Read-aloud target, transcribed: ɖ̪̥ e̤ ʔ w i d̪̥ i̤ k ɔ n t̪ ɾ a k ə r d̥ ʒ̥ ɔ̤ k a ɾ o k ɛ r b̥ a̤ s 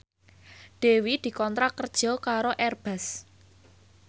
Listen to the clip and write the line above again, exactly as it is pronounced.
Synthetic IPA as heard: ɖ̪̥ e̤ w i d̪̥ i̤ k ɔ n t̪ ɾ a k ə r d̥ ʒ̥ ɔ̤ k a ɾ o ʔ ɛ r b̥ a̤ s